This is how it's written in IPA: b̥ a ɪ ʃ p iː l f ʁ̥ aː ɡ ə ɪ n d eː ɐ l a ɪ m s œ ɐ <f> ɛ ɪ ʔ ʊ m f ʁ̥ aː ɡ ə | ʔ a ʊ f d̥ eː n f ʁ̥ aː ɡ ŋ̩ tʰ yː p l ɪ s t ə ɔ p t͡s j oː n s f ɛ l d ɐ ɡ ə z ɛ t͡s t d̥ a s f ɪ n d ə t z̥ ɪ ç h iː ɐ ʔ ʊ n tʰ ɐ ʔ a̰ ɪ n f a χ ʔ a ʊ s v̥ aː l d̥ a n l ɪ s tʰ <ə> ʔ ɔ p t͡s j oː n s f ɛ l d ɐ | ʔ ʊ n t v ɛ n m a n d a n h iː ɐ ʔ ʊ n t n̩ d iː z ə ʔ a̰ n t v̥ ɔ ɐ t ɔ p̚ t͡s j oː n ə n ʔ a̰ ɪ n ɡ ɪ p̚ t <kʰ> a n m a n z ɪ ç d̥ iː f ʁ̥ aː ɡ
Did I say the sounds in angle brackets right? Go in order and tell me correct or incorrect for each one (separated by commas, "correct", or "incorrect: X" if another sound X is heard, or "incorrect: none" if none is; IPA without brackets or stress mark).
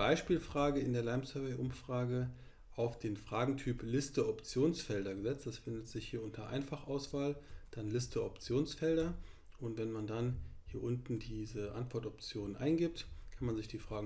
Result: incorrect: v, correct, correct